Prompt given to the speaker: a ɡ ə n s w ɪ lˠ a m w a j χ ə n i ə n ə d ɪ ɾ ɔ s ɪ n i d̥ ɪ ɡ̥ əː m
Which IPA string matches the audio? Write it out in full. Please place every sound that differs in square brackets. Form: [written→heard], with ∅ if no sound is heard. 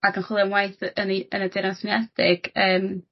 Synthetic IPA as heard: a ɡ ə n [s→χ] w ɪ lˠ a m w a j [χ→θ] ə n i ə n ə d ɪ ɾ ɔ s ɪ n [i→ɛ] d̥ ɪ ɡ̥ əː m